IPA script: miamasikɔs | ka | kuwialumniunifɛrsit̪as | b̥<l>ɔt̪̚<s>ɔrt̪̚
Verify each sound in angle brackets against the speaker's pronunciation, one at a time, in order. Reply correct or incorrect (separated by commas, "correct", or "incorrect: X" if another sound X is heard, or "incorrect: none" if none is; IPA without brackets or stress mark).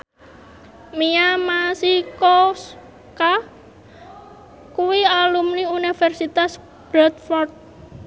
incorrect: ɾ, incorrect: f